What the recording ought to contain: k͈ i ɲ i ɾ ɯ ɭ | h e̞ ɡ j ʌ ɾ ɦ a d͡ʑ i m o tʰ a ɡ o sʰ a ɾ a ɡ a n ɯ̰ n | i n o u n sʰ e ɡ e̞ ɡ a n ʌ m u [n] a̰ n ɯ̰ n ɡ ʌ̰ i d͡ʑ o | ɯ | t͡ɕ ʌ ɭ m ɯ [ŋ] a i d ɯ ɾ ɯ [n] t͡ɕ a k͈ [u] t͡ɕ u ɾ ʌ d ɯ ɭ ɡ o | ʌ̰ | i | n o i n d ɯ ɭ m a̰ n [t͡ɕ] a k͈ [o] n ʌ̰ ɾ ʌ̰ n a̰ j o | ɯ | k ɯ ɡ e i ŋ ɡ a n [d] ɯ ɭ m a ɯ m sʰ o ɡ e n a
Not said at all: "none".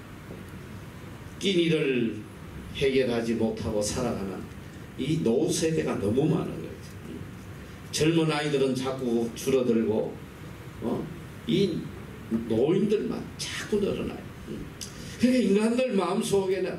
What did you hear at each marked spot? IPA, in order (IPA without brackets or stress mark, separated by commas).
m, n, n, u, t͡ɕ, u, d